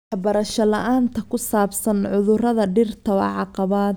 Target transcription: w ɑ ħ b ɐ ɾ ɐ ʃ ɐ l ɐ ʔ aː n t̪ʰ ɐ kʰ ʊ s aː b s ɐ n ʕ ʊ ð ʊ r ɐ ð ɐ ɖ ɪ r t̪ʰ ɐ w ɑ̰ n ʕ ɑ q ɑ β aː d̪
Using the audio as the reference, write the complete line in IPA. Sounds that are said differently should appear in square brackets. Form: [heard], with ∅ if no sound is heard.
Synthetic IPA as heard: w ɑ ħ b ɐ ɾ ɐ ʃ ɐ l ɐ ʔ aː n t̪ʰ ɐ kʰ ʊ s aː b s ɐ n ʕ ʊ ð ʊ r ɐ ð ɐ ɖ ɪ r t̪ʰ ɐ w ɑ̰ [∅] ʕ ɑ q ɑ β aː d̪